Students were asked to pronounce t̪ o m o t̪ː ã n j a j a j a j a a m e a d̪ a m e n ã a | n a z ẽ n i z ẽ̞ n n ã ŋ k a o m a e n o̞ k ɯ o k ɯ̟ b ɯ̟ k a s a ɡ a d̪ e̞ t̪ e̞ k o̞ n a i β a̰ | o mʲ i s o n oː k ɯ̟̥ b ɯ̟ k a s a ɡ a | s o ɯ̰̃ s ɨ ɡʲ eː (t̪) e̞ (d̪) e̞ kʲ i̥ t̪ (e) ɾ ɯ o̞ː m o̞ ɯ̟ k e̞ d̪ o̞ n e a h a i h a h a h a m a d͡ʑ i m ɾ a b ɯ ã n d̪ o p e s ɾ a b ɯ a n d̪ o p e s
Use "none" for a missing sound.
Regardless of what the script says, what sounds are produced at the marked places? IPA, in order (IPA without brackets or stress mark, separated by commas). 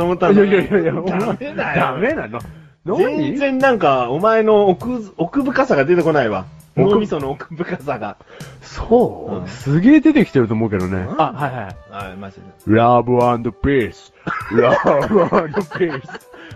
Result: d̪, t̪, e